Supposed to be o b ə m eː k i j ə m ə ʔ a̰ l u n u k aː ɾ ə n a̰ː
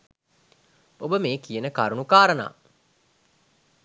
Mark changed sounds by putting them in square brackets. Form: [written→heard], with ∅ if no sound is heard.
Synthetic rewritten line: o b ə m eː k i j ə [m→n] ə [ʔ→k] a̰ [l→ɾ] u n u k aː ɾ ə n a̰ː

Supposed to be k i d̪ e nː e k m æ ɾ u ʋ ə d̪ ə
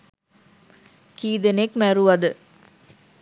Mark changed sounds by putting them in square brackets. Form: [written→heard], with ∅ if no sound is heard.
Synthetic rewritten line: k [i→iː] d̪ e [nː→n] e k m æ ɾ u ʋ [ə→ɐ] d̪ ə

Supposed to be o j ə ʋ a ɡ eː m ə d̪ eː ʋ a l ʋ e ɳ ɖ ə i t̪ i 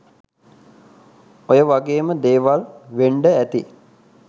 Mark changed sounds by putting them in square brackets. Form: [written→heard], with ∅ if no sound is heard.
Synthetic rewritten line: o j ə ʋ a ɡ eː m ə d̪ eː ʋ a l ʋ e ɳ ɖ ə [i→æ] t̪ i

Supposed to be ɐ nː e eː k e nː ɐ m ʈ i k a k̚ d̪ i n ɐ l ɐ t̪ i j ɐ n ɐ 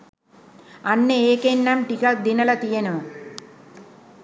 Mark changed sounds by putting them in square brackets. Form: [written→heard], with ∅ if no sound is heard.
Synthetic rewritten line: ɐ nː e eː k e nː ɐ m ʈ i k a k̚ d̪ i n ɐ l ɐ t̪ i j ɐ n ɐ

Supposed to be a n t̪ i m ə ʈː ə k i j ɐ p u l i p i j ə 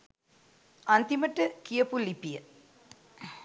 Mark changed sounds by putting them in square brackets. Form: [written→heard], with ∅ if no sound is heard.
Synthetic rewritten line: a n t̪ i m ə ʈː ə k i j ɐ p u l i p i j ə

